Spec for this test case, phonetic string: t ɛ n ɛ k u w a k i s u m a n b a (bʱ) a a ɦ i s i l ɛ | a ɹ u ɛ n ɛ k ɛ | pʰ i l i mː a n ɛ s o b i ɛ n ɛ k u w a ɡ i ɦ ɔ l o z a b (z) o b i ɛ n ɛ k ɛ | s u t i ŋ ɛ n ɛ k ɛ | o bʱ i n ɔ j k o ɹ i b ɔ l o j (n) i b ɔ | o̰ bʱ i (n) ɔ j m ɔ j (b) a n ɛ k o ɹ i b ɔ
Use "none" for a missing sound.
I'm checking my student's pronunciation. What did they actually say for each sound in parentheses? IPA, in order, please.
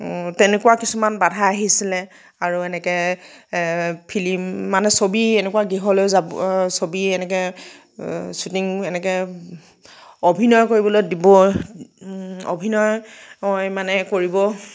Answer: dʱ, s, d, n, m

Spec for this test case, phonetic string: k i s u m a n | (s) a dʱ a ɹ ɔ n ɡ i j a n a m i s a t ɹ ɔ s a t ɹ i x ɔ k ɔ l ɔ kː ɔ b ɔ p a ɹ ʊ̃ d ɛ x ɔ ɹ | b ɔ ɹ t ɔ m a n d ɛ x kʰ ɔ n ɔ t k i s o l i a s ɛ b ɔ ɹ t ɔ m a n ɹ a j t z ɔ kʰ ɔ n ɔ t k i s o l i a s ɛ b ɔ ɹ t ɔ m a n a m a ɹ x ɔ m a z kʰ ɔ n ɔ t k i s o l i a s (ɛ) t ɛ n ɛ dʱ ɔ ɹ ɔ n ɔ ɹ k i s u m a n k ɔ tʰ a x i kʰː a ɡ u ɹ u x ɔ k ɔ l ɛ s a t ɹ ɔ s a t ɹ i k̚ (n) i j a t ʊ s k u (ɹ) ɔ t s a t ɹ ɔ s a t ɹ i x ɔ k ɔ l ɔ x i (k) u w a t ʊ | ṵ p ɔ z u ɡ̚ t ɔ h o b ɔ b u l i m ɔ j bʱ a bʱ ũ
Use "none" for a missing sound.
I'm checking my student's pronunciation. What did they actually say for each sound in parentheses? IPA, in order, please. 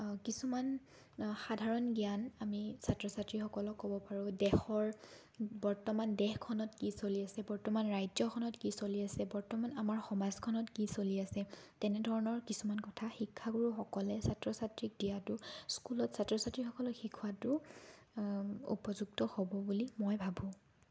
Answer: x, ɛ, d, l, kʰ

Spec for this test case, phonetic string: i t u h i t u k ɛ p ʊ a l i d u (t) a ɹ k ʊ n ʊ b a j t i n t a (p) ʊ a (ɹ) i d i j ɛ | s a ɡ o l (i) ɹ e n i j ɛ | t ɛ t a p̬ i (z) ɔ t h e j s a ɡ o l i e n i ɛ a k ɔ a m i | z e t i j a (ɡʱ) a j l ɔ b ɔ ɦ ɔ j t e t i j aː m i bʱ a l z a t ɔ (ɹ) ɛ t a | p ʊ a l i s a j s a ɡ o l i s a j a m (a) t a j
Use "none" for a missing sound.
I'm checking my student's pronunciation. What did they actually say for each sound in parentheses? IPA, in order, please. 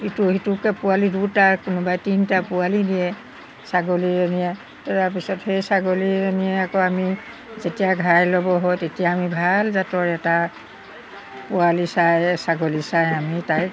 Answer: t, p, l, i, s, ɡʱ, ɹ, i

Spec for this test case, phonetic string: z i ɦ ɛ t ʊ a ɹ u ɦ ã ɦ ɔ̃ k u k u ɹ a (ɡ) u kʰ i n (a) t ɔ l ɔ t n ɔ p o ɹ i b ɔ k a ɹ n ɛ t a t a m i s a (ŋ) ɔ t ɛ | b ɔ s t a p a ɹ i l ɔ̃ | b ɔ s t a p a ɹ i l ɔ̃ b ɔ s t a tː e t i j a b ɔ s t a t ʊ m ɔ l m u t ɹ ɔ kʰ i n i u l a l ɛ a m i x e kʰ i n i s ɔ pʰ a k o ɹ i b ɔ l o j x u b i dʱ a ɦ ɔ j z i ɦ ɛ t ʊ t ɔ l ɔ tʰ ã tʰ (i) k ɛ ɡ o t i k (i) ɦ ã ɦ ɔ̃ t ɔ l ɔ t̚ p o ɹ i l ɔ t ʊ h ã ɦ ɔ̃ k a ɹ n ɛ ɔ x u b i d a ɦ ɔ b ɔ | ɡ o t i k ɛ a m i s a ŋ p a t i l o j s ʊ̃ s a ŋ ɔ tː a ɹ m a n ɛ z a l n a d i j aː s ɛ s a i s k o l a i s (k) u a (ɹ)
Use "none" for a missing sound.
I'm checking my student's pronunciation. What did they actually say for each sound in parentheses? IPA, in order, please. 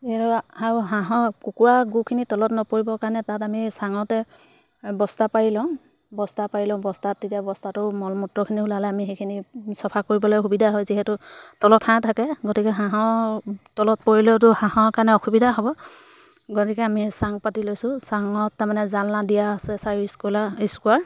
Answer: ɡ, i, ŋ, a, ɛ, k, ɹ

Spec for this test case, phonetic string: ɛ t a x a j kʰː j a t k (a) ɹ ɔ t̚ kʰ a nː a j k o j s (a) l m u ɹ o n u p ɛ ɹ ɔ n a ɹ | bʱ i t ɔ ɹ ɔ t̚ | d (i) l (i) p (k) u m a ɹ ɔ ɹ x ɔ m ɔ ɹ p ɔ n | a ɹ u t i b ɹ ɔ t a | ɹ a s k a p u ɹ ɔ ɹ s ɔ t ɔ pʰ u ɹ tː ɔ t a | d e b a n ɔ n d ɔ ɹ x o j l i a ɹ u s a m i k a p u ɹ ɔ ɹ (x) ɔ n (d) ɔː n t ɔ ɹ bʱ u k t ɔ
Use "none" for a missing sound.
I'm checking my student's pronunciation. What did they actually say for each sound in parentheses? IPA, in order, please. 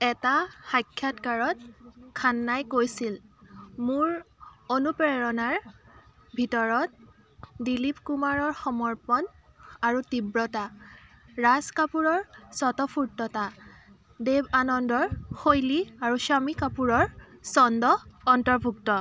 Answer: a, i, i, i, k, s, d

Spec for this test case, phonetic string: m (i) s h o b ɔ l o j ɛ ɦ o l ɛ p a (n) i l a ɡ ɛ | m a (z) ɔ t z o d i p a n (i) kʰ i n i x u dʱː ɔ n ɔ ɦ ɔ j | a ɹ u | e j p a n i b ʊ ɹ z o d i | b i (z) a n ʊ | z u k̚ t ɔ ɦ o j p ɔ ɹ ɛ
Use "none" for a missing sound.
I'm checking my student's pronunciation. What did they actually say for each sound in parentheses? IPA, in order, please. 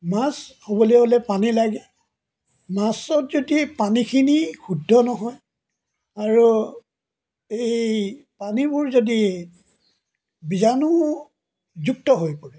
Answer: a, n, s, i, z

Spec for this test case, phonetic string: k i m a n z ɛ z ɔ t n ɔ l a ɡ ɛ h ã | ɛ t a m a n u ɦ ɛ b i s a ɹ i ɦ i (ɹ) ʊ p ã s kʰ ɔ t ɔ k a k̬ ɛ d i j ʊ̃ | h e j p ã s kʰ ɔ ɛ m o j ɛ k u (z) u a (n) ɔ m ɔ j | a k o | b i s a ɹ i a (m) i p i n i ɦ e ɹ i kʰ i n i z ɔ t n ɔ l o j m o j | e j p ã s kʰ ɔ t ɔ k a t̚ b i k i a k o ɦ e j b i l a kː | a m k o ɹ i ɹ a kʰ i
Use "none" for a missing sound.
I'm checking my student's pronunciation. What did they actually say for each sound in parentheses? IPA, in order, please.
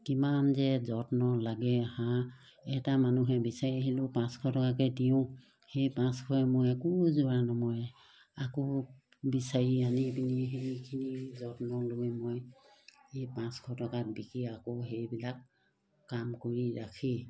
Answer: l, z, n, n

